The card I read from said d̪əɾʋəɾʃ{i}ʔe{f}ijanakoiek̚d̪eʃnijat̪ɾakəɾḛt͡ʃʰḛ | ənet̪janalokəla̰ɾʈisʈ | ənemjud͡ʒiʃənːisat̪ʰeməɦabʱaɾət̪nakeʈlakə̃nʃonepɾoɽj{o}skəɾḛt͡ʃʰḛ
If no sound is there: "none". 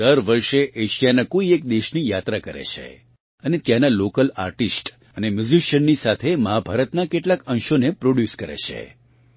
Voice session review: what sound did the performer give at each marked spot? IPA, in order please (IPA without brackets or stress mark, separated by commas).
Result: e, ʃ, u